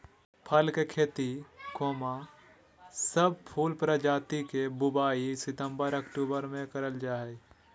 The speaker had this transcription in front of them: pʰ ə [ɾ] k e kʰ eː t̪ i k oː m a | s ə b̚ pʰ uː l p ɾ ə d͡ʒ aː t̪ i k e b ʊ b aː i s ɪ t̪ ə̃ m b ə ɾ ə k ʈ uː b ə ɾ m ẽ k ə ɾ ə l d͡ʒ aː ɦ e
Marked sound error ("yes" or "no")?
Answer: yes